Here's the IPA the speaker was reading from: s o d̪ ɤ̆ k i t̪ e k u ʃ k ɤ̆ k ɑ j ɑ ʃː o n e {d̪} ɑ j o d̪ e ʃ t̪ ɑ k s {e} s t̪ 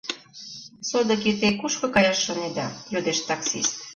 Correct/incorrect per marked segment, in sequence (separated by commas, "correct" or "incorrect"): correct, incorrect